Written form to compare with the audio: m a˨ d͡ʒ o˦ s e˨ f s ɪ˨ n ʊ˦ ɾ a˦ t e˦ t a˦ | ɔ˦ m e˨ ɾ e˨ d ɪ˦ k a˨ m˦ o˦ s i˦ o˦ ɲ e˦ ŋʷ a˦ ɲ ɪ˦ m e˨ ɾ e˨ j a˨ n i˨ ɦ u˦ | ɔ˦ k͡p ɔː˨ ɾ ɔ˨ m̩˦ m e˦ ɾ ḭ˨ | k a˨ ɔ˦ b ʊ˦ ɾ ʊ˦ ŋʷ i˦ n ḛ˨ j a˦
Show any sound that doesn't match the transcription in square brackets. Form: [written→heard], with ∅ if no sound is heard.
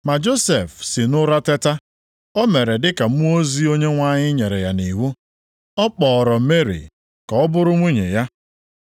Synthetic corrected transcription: m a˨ d͡ʒ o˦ s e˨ f s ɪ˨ n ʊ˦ ɾ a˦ t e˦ t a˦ | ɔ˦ m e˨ ɾ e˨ d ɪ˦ k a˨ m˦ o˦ [s→z] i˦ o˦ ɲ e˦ ŋʷ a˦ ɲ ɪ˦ [m→ɲ] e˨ ɾ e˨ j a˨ n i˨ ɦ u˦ | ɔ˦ k͡p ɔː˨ ɾ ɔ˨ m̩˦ m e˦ ɾ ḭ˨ | k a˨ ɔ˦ b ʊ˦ ɾ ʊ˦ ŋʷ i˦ [n→ɲ] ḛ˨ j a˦

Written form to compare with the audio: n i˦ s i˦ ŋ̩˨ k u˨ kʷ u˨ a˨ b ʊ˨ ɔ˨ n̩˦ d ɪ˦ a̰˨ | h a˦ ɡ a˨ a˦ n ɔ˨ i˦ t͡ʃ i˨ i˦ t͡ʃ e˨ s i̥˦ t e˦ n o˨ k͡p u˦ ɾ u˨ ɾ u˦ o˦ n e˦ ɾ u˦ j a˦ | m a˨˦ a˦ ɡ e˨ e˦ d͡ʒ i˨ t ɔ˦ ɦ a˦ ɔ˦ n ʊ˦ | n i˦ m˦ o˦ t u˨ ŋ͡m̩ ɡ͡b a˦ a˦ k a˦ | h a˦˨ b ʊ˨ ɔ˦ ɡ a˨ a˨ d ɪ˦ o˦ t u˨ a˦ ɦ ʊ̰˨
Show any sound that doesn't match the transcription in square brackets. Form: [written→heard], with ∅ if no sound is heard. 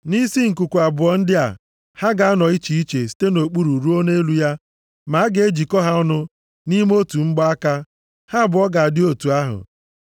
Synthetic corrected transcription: n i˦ s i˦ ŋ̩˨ k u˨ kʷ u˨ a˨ b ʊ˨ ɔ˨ n̩˦ d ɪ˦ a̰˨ | h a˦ ɡ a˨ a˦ n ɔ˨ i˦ t͡ʃ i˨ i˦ t͡ʃ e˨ s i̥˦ t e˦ n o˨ k͡p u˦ ɾ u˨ ɾ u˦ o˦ n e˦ [ɾ→l] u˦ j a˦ | m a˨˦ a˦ ɡ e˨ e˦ d͡ʒ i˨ [t→k] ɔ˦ ɦ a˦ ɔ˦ n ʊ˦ | n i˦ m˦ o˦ t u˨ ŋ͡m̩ ɡ͡b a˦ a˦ k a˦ | h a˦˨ b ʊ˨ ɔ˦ ɡ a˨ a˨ d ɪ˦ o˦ t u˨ a˦ ɦ ʊ̰˨

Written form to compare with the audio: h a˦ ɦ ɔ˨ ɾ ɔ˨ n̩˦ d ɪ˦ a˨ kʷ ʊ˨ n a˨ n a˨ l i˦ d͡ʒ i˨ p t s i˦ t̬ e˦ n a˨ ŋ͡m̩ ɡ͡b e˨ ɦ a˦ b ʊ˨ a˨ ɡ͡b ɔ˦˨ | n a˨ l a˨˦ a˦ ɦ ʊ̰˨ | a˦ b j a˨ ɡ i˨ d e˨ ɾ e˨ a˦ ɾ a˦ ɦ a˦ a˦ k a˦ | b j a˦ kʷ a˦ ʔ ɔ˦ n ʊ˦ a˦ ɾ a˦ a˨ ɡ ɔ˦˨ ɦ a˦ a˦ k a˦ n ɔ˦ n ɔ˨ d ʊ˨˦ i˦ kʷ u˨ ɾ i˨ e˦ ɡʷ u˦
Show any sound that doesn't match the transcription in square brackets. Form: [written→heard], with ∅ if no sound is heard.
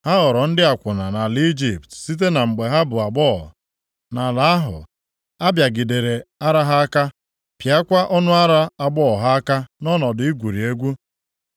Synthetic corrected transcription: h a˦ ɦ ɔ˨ ɾ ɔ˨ n̩˦ d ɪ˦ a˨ kʷ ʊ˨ n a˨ n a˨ l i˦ d͡ʒ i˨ p t s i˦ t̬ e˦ n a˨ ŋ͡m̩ ɡ͡b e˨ ɦ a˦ b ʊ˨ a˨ ɡ͡b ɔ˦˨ | n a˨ l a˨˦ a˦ ɦ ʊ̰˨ | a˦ b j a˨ ɡ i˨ d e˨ ɾ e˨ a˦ ɾ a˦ ɦ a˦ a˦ k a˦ | [b→p] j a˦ kʷ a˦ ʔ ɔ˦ n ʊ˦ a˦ ɾ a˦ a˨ [ɡ→ɡ͡b] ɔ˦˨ ɦ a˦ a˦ k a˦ n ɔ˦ n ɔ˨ d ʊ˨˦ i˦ [kʷ→ɡʷ] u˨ ɾ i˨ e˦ ɡʷ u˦

